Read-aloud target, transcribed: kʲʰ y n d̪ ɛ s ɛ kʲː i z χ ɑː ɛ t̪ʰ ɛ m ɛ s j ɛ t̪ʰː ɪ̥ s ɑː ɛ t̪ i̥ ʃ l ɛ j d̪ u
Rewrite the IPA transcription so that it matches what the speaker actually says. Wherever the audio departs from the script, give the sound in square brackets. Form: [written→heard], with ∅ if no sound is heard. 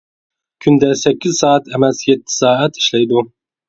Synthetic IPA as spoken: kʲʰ y n d̪ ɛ s ɛ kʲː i z [χ→s] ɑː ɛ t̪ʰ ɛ m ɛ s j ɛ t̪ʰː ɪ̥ s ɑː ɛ t̪ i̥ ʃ l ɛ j d̪ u